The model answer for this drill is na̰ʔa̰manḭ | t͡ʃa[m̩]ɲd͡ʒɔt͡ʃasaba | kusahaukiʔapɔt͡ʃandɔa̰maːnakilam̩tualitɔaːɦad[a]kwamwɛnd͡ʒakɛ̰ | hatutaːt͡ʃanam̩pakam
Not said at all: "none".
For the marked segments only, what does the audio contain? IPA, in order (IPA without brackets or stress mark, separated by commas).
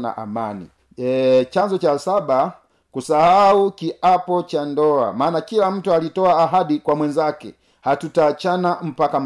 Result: none, i